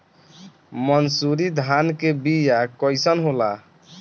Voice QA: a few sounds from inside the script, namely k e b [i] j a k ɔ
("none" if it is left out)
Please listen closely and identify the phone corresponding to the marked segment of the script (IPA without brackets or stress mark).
i